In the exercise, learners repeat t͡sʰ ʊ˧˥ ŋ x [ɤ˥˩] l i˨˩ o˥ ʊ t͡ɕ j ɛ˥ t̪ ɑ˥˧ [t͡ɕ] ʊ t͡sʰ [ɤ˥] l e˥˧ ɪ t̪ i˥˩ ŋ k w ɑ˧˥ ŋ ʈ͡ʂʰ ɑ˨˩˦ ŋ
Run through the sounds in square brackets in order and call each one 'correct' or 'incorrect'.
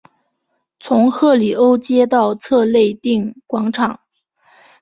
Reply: correct, incorrect: none, incorrect: ɤ˥˧

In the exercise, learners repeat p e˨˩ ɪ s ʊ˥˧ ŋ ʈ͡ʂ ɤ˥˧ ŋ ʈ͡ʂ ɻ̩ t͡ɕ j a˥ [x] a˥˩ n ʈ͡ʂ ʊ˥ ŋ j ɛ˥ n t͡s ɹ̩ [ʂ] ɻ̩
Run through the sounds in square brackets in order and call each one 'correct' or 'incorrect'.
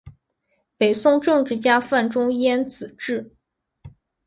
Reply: incorrect: f, incorrect: ʈ͡ʂ

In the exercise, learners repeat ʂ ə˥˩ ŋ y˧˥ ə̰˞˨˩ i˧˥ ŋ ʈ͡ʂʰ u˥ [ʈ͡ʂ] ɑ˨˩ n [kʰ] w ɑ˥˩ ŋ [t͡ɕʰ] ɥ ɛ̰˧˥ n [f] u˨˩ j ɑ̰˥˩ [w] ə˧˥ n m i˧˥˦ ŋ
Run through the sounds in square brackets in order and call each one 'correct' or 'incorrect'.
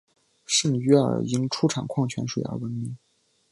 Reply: incorrect: ʈ͡ʂʰ, correct, correct, incorrect: ʂ, correct

